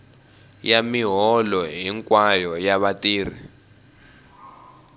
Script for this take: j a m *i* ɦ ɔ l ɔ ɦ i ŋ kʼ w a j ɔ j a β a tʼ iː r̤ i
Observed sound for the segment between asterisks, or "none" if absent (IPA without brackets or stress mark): i